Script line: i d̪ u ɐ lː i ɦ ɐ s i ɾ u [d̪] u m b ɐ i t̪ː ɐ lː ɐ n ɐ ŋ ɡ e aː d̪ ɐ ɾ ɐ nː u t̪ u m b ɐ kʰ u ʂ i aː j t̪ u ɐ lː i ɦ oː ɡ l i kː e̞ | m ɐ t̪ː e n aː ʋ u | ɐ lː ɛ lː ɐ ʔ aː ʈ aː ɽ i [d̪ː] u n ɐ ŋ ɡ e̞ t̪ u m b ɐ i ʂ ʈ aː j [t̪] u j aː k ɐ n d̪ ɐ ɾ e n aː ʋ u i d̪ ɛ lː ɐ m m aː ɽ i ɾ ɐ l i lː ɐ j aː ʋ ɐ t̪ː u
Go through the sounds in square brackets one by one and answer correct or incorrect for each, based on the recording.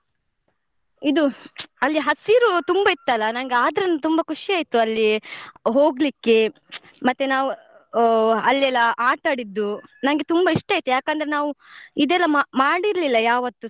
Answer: incorrect: t̪, correct, correct

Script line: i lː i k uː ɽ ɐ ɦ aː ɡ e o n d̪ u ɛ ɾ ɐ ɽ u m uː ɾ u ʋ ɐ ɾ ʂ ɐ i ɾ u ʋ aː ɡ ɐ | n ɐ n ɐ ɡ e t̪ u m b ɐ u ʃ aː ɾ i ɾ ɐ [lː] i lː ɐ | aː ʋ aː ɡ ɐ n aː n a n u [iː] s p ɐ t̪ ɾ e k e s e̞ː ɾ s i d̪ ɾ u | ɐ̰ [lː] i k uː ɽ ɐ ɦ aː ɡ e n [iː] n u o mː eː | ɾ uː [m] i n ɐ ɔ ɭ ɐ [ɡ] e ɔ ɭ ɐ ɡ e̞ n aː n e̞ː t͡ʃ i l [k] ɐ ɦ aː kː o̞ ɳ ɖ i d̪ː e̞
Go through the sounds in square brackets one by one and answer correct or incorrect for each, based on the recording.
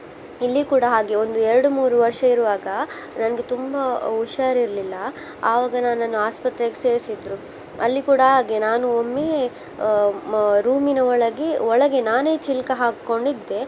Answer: incorrect: l, incorrect: aː, correct, incorrect: aː, correct, correct, correct

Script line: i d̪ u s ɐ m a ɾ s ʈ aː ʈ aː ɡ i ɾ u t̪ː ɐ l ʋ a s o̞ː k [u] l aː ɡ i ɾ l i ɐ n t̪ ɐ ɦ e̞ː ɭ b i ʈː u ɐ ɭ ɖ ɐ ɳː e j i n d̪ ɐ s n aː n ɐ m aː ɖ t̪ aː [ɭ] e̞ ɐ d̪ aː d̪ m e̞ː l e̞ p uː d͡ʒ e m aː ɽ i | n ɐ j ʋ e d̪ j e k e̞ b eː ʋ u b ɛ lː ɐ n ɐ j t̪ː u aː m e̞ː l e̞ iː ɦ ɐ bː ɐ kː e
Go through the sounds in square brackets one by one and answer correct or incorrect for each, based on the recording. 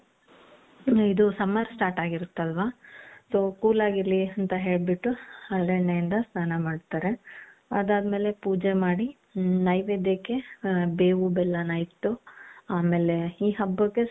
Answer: incorrect: uː, incorrect: ɾ

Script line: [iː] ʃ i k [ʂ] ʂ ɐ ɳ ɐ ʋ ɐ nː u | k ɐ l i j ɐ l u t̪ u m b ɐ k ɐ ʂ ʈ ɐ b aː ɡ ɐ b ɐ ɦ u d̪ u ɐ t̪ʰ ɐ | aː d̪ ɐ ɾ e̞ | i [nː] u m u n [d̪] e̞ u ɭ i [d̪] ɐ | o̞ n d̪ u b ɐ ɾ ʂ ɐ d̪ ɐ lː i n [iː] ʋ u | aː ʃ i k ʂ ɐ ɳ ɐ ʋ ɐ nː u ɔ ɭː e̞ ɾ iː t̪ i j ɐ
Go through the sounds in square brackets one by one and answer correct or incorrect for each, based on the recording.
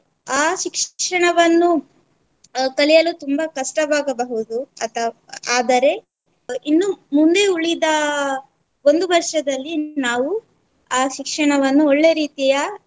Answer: incorrect: aː, correct, correct, correct, correct, incorrect: aː

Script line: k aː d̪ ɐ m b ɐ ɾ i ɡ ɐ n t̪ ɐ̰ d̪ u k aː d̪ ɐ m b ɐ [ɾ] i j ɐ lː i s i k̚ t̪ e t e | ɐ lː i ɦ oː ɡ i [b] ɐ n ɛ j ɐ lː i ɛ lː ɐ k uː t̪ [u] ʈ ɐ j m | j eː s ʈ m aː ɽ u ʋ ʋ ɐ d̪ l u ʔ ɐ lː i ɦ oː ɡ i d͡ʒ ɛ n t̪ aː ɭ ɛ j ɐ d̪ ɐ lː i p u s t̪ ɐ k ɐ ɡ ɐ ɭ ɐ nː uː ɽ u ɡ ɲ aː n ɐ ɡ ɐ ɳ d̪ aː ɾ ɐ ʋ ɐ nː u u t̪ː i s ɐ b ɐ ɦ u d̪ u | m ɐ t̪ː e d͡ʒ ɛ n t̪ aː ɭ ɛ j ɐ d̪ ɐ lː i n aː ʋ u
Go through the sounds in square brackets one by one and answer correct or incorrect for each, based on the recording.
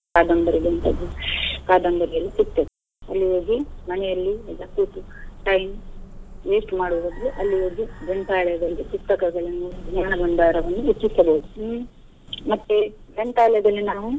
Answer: correct, incorrect: m, correct

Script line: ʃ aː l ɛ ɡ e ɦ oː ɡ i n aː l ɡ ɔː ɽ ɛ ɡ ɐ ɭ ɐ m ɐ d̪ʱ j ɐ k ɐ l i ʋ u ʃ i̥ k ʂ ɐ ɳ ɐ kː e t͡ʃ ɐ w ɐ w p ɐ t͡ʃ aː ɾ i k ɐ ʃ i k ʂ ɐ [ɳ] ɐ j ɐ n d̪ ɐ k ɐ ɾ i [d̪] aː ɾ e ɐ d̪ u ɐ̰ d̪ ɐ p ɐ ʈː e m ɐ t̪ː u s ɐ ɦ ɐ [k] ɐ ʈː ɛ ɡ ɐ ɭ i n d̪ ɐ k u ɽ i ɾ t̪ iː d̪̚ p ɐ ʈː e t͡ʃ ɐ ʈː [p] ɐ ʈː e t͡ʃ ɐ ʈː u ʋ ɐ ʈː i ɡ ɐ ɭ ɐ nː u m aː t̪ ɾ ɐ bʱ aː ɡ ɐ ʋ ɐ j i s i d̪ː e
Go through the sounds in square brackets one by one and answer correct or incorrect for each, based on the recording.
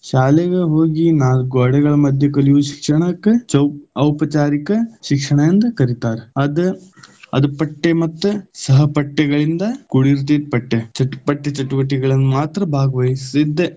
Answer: correct, incorrect: t̪, incorrect: p, correct

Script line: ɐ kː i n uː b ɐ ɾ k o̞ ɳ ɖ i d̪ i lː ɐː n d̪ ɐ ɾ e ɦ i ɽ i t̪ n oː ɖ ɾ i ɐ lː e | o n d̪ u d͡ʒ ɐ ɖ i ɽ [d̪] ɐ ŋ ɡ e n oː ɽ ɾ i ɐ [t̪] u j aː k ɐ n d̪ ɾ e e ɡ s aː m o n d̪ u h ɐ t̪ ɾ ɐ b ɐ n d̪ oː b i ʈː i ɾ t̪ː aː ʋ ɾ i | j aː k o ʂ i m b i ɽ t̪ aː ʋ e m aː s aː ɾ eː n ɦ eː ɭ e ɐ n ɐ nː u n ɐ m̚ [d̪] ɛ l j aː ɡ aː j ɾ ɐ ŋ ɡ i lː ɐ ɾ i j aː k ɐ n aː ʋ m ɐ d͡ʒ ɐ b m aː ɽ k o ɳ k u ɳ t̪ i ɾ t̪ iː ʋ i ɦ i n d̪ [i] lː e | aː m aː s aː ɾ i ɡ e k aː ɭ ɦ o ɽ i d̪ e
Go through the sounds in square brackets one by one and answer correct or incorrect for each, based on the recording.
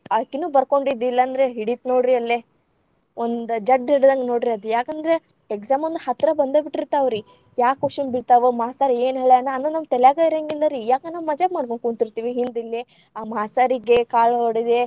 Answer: correct, incorrect: d̪, incorrect: t̪, correct

